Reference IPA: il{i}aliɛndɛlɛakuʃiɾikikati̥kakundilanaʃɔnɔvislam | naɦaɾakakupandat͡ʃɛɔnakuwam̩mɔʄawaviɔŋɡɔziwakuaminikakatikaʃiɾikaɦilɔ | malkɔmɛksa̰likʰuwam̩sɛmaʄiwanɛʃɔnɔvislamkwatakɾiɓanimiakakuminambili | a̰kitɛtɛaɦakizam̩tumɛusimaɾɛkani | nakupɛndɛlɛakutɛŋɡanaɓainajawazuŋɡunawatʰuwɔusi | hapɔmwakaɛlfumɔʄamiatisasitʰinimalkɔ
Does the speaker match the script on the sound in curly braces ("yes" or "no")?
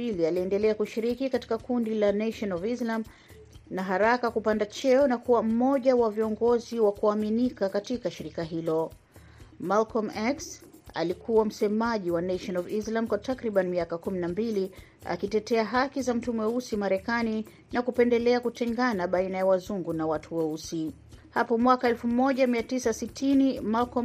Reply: yes